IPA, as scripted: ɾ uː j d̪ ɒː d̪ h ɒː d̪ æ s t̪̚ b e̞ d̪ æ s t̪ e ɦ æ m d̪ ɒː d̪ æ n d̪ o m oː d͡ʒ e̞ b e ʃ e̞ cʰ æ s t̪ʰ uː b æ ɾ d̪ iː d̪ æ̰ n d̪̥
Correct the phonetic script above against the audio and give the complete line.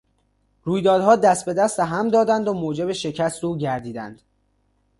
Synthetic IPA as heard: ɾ uː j d̪ ɒː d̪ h ɒː d̪ æ s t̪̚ b e̞ d̪ æ s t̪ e ɦ æ m d̪ ɒː d̪ æ n d̪ o m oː d͡ʒ e̞ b e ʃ e̞ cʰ æ s t̪ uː ɟ æ ɾ d̪ iː d̪ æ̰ n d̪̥